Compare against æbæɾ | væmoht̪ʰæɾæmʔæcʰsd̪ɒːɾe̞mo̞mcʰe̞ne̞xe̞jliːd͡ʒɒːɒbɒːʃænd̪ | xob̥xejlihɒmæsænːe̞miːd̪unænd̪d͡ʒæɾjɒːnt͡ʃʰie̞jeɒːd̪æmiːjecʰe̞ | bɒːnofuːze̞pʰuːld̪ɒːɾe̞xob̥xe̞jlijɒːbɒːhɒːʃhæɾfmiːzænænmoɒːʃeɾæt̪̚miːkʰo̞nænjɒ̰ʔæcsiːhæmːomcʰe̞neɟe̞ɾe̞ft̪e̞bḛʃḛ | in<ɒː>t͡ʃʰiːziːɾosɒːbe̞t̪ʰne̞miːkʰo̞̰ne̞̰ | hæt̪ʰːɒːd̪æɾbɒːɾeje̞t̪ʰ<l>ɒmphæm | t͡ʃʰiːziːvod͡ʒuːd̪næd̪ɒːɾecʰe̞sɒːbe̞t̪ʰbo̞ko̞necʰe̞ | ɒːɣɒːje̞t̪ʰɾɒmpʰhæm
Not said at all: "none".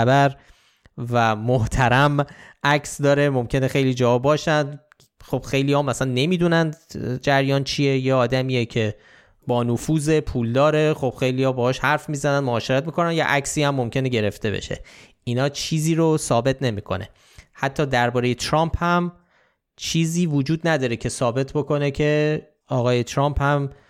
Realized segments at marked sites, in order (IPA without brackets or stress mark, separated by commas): ɒː, ɾ